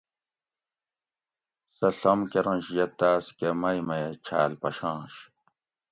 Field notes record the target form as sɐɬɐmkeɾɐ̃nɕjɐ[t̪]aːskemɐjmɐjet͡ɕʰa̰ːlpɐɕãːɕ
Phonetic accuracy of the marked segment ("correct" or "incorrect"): correct